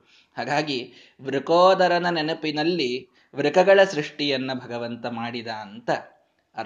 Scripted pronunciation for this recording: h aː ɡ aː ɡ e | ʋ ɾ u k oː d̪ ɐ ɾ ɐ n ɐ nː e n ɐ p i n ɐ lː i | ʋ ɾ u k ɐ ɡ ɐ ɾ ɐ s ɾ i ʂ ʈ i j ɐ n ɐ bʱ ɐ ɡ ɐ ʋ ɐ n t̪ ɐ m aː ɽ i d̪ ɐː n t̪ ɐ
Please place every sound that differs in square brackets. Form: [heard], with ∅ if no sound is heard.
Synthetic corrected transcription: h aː ɡ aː ɡ [i] | ʋ ɾ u k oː d̪ ɐ ɾ ɐ n ɐ [n] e n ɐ p i n ɐ lː i | ʋ ɾ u k ɐ ɡ ɐ [ɭ] ɐ s ɾ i ʂ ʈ i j ɐ [nː] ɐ bʱ ɐ ɡ ɐ ʋ ɐ n t̪ ɐ m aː ɽ i d̪ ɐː n t̪ ɐ